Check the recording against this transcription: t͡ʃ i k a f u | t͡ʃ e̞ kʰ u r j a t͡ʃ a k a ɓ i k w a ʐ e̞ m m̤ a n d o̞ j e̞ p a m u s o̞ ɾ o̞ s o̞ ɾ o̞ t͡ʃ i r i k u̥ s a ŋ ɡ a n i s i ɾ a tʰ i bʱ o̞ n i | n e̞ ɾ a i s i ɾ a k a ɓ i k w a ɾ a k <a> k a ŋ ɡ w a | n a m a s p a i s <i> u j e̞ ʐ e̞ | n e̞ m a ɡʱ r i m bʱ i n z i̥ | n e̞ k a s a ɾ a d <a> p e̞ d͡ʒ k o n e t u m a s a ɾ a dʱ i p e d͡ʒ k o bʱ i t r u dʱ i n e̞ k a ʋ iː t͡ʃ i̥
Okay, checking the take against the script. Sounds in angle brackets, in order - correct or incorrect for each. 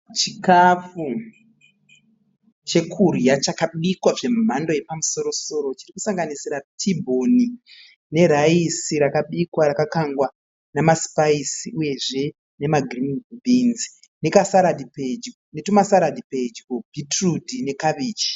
correct, correct, incorrect

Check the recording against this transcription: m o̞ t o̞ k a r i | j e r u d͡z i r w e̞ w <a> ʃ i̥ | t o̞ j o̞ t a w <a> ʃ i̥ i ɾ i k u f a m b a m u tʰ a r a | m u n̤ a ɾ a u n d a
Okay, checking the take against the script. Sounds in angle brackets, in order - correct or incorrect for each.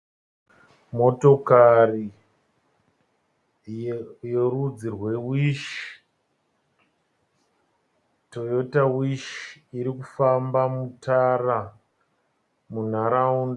incorrect, incorrect

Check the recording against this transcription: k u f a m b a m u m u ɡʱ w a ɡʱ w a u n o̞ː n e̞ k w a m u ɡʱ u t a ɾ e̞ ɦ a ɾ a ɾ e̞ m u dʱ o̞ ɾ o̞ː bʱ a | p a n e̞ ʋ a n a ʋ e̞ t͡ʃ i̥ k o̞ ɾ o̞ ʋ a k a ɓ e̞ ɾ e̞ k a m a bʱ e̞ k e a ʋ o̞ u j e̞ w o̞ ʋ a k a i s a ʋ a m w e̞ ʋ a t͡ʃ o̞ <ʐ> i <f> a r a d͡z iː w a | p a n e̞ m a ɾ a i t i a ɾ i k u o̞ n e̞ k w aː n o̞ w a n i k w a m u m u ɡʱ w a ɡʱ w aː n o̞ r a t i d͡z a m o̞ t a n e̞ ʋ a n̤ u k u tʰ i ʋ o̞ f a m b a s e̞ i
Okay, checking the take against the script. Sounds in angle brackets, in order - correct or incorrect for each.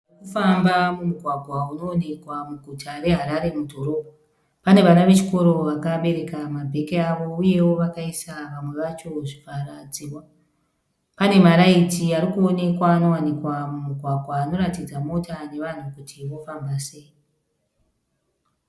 correct, correct

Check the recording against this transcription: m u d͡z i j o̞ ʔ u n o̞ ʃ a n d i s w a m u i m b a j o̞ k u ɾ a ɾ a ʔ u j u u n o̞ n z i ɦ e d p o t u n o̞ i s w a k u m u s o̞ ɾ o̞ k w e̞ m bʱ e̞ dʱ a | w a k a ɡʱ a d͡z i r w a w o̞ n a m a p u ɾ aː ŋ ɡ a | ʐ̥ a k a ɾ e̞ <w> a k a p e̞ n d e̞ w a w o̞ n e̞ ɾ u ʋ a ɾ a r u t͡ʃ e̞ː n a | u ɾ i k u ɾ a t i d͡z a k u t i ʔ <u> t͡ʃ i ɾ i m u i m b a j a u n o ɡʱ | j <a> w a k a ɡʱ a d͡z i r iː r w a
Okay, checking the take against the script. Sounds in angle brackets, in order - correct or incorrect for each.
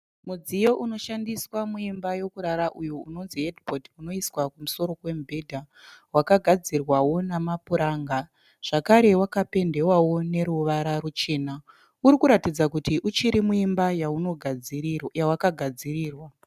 correct, correct, correct

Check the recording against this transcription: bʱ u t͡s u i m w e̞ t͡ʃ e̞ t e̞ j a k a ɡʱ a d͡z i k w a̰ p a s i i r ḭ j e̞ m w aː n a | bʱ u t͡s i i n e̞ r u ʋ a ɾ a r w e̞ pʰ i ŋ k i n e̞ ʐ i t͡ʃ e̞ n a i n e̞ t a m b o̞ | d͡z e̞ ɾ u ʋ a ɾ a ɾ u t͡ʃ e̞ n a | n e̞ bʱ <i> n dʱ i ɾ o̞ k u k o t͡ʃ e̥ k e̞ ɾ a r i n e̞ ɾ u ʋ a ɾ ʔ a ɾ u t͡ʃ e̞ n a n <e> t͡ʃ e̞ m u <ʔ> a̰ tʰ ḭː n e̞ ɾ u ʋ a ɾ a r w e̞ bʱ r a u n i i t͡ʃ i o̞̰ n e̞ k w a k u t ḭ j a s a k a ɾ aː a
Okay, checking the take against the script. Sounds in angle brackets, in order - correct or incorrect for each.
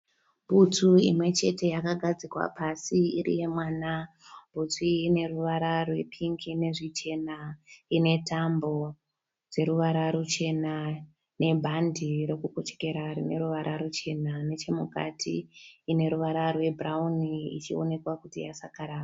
incorrect, correct, incorrect

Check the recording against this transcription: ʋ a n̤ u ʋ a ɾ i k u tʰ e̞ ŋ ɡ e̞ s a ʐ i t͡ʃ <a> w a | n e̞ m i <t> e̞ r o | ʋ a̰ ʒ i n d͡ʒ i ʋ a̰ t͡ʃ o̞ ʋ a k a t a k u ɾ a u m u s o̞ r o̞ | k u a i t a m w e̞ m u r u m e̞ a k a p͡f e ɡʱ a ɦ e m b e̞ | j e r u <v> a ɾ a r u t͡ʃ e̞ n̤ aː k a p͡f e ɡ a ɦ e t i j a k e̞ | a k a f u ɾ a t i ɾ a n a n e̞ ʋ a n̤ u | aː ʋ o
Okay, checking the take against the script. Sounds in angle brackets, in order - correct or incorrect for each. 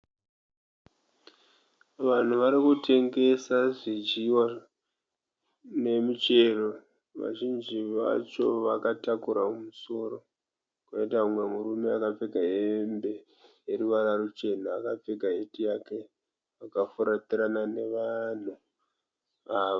incorrect, incorrect, incorrect

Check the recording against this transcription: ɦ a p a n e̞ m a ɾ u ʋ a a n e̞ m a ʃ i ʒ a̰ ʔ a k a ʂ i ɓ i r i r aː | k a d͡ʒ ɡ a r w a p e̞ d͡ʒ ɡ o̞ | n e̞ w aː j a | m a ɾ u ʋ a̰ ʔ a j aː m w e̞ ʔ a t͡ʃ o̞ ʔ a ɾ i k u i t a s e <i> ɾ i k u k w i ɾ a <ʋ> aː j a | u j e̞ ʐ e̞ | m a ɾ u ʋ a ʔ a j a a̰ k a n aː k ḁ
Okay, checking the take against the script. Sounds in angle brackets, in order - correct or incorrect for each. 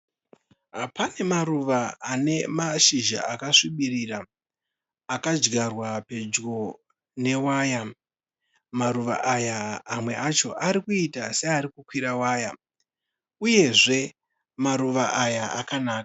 incorrect, incorrect

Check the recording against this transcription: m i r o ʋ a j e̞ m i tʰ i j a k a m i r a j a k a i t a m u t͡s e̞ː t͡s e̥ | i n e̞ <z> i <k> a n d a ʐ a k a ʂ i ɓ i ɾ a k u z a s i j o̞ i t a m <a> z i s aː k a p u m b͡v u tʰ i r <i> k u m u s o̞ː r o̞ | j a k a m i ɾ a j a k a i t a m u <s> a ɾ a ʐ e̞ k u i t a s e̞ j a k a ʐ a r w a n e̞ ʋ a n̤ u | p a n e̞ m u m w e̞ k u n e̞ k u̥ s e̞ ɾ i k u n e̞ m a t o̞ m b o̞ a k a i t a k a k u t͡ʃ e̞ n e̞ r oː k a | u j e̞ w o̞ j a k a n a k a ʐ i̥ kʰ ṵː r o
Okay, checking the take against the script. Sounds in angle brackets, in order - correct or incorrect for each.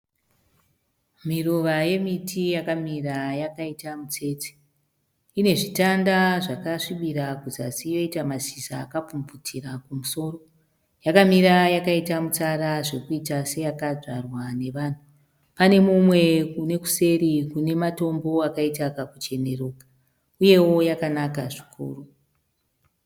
incorrect, incorrect, correct, incorrect, incorrect

